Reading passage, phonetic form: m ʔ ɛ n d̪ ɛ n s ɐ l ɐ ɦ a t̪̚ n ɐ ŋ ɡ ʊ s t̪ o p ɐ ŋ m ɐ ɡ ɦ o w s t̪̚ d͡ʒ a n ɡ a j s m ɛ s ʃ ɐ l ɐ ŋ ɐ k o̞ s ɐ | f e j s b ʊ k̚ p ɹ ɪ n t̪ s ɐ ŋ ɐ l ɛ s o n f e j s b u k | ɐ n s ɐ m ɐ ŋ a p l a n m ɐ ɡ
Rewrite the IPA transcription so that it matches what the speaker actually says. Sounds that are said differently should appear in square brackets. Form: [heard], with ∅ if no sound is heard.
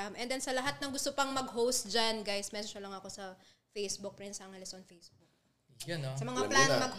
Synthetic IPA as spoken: m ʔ ɛ n d̪ ɛ n s ɐ l ɐ ɦ a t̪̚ n ɐ ŋ ɡ ʊ s t̪ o p ɐ ŋ m ɐ ɡ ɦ o w s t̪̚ d͡ʒ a n ɡ a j s m ɛ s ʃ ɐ l ɐ ŋ ɐ k o̞ s ɐ | f e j s b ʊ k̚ p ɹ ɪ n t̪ s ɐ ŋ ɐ l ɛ s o n f e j s b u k | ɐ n s ɐ m ɐ ŋ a p l a n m ɐ ɡ